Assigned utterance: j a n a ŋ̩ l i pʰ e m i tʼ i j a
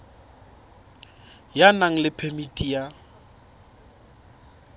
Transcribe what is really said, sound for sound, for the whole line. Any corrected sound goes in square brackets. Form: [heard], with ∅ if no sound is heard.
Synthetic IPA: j a n a ŋ̩ l [ɪ] pʰ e m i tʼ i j a